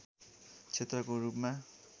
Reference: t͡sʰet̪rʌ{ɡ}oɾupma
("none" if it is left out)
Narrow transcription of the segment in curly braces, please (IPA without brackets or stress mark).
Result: k